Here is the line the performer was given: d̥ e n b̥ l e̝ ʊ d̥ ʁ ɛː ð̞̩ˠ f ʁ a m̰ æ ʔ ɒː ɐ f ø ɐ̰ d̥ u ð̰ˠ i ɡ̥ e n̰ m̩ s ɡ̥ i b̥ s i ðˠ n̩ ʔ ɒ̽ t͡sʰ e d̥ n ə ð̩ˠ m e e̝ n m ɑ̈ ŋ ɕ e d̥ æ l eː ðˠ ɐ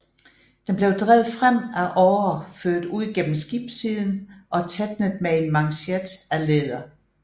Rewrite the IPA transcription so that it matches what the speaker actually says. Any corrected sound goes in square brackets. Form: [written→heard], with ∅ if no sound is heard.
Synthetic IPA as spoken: d̥ e n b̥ l e̝ ʊ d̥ ʁ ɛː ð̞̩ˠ f ʁ a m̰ æ ʔ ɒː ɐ f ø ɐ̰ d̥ u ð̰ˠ i ɡ̥ e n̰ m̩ s ɡ̥ i b̥ s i ðˠ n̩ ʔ ɒ̽ t͡sʰ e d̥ n ə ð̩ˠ m e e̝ n m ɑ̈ ŋ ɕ e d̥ æ l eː ðˠ ɐ